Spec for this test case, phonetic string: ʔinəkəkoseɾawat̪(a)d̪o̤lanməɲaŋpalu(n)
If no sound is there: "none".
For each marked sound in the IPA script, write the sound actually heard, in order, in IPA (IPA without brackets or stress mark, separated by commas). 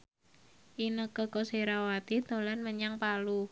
i, none